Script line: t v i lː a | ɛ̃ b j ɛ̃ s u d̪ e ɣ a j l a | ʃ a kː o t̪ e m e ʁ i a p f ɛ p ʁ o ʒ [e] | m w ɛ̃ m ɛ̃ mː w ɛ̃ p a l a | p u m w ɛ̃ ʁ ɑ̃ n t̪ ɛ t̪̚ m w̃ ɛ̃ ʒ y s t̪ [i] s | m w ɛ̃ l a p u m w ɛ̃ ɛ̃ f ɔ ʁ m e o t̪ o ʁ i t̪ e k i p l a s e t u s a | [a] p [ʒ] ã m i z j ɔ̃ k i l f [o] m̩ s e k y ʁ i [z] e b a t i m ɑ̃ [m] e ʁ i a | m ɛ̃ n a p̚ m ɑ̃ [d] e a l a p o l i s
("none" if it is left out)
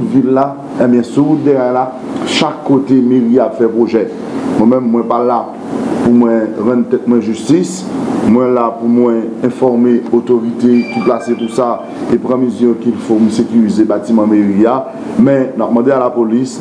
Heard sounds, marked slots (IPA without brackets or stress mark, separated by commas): ɛ, i, e, ʁ, o, z, m, d